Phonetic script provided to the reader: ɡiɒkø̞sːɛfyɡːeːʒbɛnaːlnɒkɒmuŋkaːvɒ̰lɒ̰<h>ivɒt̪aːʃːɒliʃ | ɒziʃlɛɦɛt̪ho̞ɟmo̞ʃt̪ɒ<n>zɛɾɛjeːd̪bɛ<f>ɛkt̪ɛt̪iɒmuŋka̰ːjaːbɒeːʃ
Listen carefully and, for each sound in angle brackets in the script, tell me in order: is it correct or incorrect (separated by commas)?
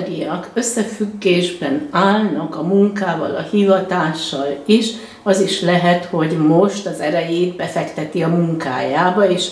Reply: correct, incorrect, correct